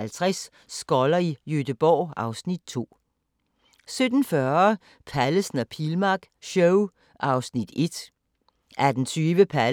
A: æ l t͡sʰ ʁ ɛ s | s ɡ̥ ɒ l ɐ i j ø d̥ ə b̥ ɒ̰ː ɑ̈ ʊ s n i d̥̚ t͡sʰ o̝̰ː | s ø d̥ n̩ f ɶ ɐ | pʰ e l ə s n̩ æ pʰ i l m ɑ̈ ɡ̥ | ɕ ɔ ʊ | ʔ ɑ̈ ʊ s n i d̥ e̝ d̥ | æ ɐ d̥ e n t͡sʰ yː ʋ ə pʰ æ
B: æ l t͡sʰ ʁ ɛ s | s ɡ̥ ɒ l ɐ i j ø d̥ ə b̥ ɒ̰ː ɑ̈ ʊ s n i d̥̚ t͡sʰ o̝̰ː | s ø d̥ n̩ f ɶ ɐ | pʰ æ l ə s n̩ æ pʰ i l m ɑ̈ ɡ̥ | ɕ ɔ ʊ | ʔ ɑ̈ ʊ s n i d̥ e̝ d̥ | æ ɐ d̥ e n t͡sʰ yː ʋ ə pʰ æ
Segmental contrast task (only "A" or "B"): B